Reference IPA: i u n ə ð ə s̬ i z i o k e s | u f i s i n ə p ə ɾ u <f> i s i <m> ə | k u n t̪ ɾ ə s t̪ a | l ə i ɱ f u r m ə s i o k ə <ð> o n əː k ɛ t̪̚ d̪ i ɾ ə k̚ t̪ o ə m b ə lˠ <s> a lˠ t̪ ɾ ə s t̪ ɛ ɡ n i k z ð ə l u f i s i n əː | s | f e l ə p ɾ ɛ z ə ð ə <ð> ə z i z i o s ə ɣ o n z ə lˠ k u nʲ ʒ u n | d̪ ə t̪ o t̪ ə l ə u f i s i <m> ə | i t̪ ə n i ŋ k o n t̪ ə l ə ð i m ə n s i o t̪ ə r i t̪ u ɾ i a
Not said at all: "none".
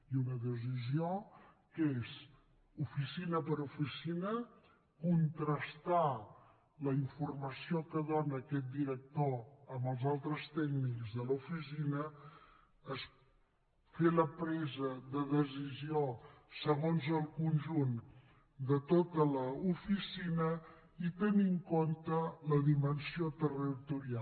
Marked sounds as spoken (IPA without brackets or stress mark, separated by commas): f, n, ð, z, ð, n